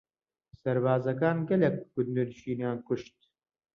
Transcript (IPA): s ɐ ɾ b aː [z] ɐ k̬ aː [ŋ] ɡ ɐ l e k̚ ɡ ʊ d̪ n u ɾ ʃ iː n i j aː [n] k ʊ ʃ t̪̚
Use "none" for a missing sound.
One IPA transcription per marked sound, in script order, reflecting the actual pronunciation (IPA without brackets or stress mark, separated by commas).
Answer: z, n, n